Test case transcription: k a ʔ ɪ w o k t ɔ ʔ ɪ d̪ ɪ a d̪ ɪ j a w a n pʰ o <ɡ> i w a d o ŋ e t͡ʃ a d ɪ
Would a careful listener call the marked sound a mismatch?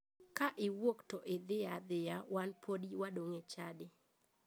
yes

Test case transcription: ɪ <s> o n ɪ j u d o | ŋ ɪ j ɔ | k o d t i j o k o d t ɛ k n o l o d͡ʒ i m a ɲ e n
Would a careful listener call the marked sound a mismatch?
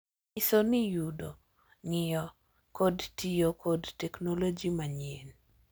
no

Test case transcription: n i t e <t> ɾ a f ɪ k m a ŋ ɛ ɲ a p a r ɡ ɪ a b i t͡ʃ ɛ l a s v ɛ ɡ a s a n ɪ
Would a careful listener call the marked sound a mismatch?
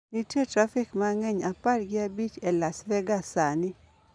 no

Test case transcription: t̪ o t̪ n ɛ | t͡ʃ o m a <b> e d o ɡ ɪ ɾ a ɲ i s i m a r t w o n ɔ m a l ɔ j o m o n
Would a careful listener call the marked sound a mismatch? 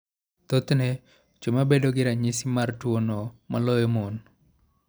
no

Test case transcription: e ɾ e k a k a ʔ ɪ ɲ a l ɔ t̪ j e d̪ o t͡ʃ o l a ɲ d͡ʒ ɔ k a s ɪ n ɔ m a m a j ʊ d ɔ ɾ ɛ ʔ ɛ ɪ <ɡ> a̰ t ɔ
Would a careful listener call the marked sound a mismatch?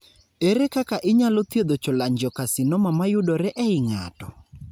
yes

